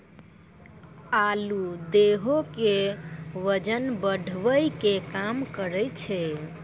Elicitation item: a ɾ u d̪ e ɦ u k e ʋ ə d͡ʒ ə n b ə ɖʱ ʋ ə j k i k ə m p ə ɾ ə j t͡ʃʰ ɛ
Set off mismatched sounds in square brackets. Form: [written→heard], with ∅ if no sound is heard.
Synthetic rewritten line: a [ɾ→l] u d̪ e ɦ [u→o] k e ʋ ə d͡ʒ ə n b ə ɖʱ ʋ ə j k [i→e] k [ə→a] m [p→k] ə ɾ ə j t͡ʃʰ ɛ